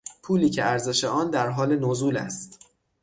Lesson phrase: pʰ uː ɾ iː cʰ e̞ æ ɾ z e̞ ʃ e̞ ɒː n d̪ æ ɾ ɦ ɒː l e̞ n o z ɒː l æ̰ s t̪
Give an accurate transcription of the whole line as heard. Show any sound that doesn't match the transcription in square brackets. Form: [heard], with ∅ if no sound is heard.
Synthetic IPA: pʰ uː [l] iː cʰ e̞ æ ɾ z e̞ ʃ e̞ ɒː n d̪ æ ɾ ɦ ɒː l e̞ n o z [uː] l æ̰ s t̪